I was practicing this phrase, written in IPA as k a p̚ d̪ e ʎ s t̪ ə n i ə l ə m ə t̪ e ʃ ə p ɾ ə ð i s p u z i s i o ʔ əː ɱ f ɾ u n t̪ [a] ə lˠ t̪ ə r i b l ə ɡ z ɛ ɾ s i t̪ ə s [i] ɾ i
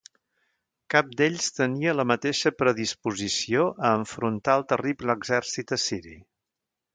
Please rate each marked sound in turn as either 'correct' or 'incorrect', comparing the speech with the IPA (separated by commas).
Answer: correct, correct